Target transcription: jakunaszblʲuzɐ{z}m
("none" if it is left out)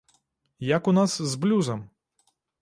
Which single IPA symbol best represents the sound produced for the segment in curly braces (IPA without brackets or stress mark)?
none